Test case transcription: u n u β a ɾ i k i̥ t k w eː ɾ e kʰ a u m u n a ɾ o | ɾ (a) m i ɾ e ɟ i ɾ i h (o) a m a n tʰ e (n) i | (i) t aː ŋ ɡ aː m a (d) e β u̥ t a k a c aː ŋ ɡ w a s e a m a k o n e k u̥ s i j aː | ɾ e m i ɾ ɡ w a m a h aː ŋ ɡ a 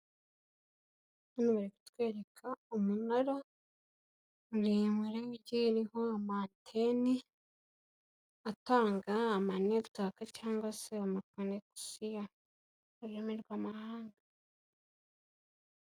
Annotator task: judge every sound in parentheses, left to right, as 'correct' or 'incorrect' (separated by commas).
incorrect, correct, correct, incorrect, incorrect